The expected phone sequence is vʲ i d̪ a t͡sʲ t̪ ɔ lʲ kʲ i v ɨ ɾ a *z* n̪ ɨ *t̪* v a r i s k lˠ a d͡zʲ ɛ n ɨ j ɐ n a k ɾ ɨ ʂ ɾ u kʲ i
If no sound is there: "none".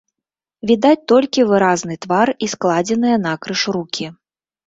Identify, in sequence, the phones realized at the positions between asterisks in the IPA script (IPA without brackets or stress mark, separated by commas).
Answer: z, t̪